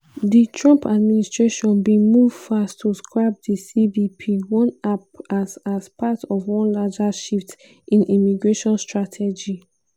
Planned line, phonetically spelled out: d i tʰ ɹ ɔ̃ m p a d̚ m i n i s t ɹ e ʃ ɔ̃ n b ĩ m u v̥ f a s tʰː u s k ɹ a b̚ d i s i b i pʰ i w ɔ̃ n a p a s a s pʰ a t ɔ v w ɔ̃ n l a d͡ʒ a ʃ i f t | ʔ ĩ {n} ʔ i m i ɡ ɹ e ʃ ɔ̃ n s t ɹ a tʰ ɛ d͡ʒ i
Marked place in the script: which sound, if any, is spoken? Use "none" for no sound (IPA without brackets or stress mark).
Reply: n